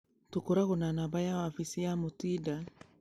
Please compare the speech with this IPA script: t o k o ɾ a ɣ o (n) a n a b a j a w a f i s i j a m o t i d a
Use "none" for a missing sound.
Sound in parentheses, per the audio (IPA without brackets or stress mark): n